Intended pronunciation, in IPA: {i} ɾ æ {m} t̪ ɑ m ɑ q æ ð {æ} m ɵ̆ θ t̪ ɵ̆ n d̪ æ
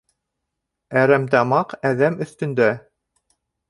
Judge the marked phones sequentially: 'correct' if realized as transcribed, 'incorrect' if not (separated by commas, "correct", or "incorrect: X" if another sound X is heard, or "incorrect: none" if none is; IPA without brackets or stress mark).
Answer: incorrect: æ, correct, correct